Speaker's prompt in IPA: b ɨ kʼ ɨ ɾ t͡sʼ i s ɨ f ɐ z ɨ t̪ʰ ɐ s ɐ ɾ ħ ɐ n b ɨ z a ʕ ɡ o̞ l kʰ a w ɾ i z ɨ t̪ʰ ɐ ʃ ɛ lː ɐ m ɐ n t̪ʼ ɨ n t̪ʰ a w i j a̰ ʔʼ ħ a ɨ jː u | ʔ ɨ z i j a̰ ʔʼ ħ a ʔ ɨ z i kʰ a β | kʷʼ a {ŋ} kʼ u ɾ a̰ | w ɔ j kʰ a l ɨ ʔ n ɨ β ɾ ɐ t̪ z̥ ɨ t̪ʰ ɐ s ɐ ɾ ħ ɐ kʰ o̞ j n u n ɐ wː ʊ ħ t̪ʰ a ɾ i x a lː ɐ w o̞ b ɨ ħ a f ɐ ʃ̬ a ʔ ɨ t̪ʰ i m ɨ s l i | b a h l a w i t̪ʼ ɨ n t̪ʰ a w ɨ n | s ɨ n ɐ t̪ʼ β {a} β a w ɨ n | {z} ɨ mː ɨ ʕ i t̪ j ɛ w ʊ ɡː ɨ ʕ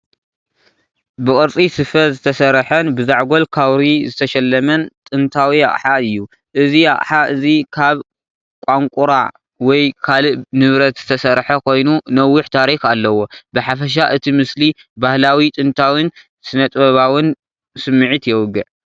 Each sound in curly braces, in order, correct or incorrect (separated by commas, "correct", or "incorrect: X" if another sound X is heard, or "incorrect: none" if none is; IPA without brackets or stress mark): correct, incorrect: ɐ, incorrect: s